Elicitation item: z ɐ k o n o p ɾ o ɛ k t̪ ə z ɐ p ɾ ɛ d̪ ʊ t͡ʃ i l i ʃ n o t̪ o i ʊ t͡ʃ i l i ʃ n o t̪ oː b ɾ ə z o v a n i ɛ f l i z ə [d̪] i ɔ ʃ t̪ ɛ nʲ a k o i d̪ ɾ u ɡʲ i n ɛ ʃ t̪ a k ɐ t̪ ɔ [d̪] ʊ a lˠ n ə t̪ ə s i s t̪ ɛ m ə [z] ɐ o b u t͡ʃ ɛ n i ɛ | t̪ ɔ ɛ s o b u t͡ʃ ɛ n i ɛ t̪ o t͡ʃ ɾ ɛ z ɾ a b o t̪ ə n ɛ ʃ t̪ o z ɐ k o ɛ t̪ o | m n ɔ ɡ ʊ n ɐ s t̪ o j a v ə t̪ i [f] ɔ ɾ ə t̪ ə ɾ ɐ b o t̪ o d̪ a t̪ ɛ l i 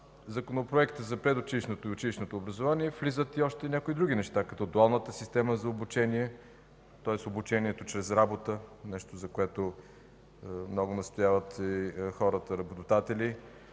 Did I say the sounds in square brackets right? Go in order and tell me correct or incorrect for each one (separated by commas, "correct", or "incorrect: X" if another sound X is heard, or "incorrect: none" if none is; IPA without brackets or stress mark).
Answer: incorrect: t̪, correct, correct, incorrect: x